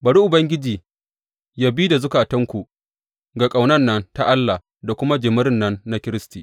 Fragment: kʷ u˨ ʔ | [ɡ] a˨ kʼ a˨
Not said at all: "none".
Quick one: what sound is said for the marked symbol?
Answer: ɡ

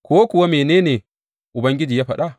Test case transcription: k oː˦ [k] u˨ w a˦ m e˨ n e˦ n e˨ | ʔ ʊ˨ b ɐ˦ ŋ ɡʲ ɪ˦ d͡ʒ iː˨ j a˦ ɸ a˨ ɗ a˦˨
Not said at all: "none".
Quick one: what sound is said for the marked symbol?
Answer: k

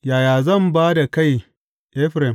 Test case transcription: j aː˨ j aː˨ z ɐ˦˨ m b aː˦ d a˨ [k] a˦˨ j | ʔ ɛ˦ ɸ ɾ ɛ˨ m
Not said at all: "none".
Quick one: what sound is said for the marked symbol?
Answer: k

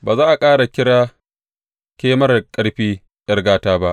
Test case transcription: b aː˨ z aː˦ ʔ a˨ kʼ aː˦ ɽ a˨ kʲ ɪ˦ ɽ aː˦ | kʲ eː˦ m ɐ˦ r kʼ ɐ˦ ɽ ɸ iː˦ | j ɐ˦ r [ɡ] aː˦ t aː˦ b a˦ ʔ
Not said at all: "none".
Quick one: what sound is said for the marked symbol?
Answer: ɡ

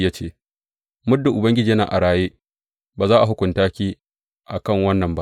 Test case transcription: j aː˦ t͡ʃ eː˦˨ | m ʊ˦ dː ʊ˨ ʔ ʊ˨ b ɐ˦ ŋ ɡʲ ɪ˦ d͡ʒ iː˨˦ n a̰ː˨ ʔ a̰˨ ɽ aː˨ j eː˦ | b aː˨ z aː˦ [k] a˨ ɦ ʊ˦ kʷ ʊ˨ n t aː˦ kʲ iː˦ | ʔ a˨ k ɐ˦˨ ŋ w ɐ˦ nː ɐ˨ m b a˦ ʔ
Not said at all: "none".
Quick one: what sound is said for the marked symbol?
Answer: ʔ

